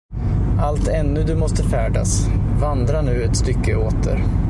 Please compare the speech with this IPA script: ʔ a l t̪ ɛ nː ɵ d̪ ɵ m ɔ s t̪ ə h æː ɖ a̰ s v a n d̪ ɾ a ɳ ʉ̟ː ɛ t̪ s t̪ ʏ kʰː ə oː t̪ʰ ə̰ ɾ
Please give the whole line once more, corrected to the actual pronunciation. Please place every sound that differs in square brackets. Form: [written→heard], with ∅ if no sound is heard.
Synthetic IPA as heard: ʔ a l t̪ ɛ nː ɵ d̪ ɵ m ɔ s t̪ ə [h→f] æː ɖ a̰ s v a n d̪ ɾ a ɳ ʉ̟ː ɛ t̪ s t̪ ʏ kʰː ə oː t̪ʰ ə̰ ɾ